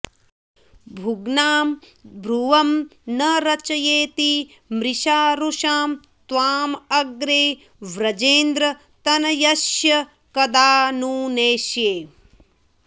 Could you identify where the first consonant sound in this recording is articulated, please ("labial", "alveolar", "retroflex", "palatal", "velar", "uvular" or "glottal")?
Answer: labial